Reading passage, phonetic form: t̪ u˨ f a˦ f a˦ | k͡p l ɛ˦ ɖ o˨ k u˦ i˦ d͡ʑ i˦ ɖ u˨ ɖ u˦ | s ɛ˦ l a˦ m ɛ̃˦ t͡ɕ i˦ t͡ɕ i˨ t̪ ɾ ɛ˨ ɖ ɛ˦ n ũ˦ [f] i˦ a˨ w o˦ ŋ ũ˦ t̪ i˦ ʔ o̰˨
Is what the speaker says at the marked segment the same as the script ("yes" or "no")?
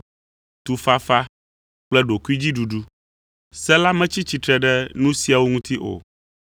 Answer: no